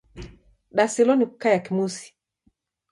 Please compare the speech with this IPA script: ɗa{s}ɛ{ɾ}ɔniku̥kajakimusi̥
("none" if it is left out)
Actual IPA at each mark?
s, l

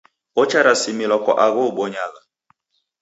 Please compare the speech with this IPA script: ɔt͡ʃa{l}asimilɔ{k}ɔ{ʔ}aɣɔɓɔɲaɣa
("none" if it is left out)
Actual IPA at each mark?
ɾ, k, ʔ

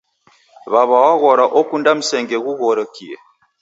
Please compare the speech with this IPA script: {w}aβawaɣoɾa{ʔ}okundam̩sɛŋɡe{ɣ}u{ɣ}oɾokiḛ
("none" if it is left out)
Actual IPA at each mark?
β, ʔ, ɣ, ɣ

